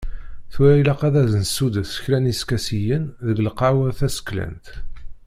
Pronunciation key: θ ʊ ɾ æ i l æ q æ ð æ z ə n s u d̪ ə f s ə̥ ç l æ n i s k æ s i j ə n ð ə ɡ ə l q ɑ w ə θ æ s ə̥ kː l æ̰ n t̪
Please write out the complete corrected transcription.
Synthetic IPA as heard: θ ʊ ɾ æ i l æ q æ ð æ z ə n s u d̪ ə θ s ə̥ ç l æ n i s k æ s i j ə n ð ə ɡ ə l q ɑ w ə θ æ s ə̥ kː l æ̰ n t̪